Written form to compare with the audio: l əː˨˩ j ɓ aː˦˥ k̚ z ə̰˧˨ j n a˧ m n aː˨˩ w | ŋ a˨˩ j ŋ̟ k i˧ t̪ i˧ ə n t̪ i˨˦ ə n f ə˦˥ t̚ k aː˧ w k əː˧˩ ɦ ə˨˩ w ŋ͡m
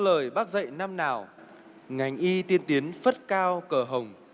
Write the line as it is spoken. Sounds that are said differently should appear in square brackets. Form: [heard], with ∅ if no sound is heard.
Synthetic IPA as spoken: l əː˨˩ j ɓ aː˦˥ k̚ z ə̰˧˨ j n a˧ m n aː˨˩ w | ŋ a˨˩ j ŋ̟ [ʔ] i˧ t̪ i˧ ə n t̪ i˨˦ ə n f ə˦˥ t̚ k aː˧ w k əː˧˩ ɦ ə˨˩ w ŋ͡m